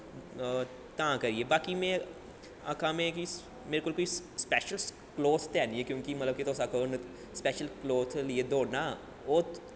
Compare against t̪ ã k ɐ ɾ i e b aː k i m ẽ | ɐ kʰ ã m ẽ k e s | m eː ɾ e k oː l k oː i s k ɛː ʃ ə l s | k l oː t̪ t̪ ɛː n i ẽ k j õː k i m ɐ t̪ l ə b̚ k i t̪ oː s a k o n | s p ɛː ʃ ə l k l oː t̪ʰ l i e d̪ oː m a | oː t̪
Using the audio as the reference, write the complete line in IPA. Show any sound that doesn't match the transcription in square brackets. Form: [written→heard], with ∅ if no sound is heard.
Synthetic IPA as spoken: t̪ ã k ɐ ɾ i e b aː k i m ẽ | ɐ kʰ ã m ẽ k [e→i] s | m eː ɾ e k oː l k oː i s [k→p] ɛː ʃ ə l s | k l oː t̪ t̪ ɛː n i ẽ k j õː k i m ɐ t̪ l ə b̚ k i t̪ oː s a k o n | s p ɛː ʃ ə l k l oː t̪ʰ l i e d̪ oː [m→n] a | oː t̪